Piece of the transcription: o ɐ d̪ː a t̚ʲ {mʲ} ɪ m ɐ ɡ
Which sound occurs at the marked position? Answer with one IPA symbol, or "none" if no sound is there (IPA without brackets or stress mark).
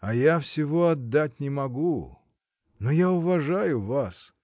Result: nʲ